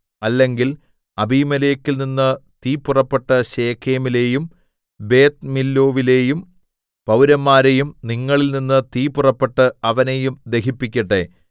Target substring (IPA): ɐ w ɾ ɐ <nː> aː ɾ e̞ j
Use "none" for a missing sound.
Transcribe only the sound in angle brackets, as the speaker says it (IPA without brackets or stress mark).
mː